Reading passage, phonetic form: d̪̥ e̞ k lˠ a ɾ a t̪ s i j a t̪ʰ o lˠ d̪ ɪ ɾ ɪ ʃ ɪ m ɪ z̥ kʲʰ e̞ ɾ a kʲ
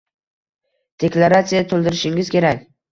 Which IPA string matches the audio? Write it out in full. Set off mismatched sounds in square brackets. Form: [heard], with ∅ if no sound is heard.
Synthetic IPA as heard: d̪̥ e̞ k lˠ a ɾ a t̪ s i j a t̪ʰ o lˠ d̪ ɪ ɾ ɪ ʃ ɪ [ŋ] ɪ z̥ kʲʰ e̞ ɾ a kʲ